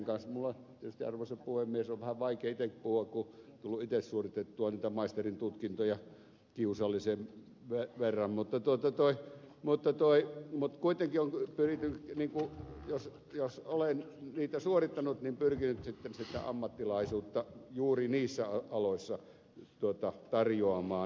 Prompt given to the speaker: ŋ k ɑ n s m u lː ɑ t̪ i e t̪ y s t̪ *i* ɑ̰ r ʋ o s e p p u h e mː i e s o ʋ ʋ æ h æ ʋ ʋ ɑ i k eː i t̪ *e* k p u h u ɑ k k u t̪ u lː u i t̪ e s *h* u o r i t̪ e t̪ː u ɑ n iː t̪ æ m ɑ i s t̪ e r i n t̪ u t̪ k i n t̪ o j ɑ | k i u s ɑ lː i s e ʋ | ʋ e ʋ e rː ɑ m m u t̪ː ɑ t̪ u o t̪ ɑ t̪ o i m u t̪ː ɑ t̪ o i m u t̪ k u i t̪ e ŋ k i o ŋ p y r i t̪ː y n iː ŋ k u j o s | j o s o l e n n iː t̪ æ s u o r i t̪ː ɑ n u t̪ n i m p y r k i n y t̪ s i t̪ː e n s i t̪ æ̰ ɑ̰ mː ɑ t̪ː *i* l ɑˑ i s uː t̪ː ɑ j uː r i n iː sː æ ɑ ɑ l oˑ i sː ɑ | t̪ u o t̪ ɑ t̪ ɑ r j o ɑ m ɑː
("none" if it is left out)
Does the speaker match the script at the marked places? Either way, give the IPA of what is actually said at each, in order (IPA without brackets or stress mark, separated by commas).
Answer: i, e, s, i